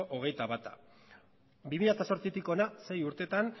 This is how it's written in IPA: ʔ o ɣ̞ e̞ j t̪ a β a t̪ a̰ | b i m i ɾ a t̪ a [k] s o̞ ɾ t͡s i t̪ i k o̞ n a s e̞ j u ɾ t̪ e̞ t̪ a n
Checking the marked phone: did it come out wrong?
yes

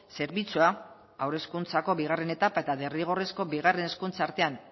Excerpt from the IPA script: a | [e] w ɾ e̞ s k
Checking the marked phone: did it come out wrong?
yes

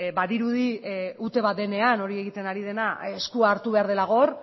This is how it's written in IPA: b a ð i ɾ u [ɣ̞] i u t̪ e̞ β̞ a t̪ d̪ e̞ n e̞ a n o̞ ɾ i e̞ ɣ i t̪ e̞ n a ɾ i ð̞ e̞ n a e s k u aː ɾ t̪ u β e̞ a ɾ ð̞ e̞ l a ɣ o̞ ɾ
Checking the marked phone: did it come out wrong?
yes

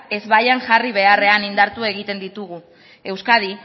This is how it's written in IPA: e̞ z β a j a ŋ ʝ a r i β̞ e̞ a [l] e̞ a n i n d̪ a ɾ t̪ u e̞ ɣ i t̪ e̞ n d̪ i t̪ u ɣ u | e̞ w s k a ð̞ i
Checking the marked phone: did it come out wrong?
yes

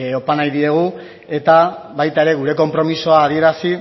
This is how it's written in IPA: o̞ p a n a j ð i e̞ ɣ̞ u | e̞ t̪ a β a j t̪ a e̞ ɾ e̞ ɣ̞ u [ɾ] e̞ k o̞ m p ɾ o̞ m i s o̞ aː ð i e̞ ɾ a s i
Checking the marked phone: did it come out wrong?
no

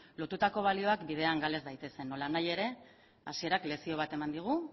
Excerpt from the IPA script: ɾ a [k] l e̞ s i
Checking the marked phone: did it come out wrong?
no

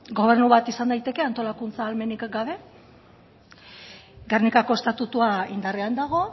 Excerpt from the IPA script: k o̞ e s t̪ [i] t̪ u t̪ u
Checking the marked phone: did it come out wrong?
yes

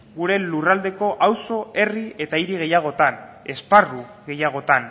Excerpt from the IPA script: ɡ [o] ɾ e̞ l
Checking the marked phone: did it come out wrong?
yes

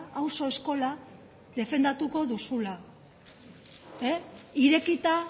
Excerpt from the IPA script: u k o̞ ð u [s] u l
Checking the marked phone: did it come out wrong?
no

